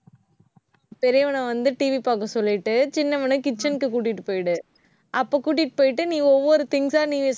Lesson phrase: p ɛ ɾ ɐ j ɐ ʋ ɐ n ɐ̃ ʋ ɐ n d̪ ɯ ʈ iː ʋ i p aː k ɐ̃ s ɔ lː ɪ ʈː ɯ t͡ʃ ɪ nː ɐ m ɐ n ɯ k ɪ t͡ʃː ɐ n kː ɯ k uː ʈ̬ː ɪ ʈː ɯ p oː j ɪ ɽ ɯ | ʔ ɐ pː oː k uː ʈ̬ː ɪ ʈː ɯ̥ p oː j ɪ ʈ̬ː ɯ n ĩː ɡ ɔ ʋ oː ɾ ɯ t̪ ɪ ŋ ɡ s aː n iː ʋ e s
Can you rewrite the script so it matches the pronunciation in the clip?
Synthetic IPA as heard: p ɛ ɾ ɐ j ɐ ʋ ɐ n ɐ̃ ʋ ɐ n d̪ ɯ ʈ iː ʋ i p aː k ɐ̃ s ɔ lː ɪ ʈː ɯ t͡ʃ ɪ nː ɐ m ɐ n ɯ k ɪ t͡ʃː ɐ n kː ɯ k uː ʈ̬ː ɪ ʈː ɯ p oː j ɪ ɽ ɯ | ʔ ɐ pː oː k uː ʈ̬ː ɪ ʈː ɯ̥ p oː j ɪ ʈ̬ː ɯ n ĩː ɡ ɔ ʋː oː ɾ ɯ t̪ ɪ ŋ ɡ s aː n iː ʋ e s

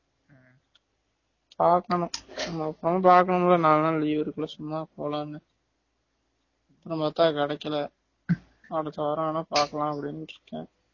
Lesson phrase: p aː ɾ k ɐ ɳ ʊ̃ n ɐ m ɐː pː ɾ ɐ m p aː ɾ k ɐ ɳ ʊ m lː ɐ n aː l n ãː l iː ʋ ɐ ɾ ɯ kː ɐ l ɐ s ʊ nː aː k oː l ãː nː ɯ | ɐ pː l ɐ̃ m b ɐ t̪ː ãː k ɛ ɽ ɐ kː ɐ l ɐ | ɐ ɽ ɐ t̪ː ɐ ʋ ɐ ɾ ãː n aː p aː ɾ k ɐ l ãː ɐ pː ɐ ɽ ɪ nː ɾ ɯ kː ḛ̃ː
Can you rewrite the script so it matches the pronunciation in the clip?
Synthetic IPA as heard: p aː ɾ k ɐ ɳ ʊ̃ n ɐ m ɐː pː ɾ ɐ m p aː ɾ k ɐ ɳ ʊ m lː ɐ n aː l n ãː l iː ʋ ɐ ɾ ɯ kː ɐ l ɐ s ʊ mː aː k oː l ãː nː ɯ | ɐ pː ɾ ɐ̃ m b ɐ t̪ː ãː k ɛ ɽ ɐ kː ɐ l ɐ | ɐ ɽ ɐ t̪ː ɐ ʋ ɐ ɾ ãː n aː p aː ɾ k ɐ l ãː ɐ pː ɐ ɽ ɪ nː ɾ ɯ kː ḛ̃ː

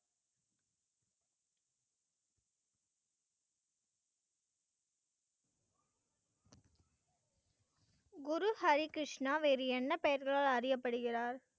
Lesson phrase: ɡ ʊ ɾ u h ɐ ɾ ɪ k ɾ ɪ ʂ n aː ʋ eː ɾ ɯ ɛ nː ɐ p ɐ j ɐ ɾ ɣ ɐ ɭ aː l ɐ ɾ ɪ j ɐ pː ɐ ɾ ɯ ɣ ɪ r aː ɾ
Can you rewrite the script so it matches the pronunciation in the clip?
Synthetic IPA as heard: ɡ ʊ ɾ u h ɐ ɾ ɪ k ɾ ɪ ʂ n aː ʋ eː ɾ ɯ ɛ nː ɐ p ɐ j ɐ ɾ ɣ ɐ ɭ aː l ɐ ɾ ɪ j ɐ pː ɐ ɽ ɯ ɣ ɪ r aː ɾ

